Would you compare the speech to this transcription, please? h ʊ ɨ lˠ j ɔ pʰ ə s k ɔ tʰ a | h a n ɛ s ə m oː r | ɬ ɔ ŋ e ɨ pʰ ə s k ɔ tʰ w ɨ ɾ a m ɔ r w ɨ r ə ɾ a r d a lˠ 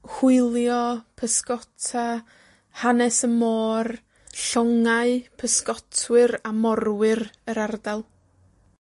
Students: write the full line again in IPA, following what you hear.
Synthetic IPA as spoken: h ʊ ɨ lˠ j ɔ pʰ ə s k ɔ tʰ a | h a n ɛ s ə m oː r | ɬ ɔ ŋ a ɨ pʰ ə s k ɔ tʰ w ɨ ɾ a m ɔ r w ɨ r ə ɾ a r d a lˠ